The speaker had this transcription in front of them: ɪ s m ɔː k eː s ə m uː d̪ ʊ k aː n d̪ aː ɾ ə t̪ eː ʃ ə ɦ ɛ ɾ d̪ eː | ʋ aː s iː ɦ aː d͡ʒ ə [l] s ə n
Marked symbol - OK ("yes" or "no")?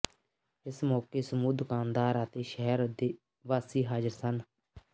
no